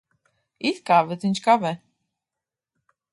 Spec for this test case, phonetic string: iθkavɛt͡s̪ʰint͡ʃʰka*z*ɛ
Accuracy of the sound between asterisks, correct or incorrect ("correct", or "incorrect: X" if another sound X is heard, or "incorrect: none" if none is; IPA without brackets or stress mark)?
incorrect: v